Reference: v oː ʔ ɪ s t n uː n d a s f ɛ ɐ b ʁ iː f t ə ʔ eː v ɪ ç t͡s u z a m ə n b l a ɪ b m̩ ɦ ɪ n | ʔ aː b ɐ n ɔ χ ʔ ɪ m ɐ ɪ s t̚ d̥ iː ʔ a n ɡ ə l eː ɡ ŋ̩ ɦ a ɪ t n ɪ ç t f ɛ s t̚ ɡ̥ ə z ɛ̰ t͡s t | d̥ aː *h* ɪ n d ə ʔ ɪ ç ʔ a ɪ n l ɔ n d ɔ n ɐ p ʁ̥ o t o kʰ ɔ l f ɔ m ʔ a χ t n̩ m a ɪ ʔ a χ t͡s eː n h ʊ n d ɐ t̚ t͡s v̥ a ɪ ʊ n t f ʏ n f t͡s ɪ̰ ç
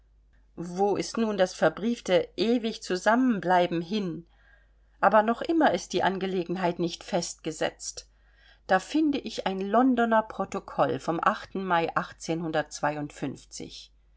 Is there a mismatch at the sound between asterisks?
yes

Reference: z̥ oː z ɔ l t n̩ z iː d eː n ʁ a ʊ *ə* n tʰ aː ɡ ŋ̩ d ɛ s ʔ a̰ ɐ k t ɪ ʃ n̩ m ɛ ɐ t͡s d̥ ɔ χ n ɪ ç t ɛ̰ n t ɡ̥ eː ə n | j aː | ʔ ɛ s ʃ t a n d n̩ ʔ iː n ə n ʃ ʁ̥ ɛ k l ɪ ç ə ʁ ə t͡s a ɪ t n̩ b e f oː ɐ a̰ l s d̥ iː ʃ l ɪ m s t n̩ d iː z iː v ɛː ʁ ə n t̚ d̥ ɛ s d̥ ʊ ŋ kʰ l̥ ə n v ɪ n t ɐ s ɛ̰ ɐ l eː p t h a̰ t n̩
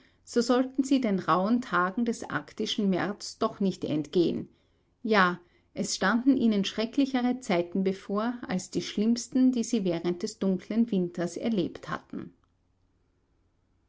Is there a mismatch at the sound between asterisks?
no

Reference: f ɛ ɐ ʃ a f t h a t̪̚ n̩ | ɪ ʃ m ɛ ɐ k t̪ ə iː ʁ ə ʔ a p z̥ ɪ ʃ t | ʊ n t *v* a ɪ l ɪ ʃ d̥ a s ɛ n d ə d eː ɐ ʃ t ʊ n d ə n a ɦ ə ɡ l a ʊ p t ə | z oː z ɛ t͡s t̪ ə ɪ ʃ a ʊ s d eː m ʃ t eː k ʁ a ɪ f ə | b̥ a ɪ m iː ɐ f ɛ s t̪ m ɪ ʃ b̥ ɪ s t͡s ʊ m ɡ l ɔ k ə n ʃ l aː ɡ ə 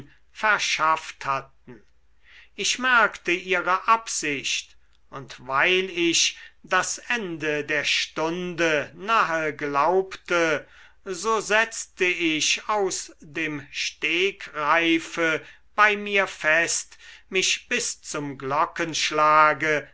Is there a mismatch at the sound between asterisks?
no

